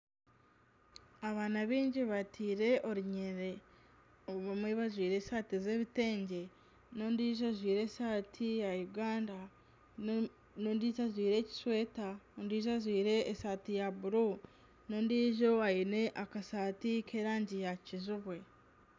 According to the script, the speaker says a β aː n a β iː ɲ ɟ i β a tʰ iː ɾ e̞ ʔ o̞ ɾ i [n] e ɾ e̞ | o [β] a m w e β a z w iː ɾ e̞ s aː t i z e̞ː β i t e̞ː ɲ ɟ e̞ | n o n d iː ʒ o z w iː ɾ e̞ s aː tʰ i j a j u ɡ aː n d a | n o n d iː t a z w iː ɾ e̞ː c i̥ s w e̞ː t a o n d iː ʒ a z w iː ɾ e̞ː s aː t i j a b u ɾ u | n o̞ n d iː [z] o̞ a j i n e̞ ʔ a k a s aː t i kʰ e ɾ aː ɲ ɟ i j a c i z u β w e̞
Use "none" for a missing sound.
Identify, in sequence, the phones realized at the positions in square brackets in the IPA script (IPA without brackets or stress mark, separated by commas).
ɲ, β, ʒ